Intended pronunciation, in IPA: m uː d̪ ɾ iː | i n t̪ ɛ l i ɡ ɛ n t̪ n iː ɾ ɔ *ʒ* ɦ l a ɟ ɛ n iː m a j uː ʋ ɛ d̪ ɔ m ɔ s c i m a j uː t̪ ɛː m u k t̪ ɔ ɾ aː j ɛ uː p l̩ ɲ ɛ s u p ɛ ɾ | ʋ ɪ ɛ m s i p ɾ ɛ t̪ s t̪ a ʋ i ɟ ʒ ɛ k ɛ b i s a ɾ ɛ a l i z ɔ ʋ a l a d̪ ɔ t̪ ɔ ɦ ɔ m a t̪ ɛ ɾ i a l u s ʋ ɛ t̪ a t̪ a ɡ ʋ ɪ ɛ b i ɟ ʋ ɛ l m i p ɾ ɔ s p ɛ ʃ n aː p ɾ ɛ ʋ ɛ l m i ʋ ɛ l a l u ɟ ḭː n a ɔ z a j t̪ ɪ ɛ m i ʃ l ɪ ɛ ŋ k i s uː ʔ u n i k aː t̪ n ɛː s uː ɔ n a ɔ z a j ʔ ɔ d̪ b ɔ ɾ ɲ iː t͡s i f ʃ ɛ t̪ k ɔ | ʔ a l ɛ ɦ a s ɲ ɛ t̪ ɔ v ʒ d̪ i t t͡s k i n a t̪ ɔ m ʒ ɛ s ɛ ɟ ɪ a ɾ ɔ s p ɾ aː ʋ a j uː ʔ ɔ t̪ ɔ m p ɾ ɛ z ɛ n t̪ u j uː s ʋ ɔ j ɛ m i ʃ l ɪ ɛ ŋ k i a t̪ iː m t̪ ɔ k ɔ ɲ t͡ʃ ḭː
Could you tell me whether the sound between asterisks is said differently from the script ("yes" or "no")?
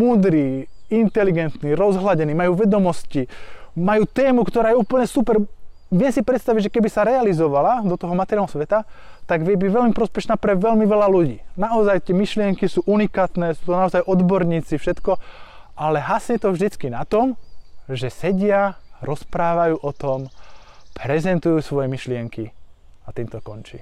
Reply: yes